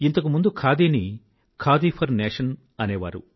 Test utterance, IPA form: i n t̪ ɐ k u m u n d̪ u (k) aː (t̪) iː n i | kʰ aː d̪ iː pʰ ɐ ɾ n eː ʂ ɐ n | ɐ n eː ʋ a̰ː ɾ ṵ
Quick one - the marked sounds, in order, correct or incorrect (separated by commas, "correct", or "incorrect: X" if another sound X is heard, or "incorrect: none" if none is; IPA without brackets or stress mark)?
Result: incorrect: kʰ, incorrect: d̪